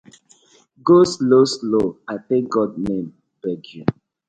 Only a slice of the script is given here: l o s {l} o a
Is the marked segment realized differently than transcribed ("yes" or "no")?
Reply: no